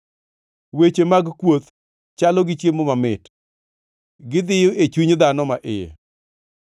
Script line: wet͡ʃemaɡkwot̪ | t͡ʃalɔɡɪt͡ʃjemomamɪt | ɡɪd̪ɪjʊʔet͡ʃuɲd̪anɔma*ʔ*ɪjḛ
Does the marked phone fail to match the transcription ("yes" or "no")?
no